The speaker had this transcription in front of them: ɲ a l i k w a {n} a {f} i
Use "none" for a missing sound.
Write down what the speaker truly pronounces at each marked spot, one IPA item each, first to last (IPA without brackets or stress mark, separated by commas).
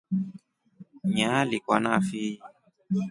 n, f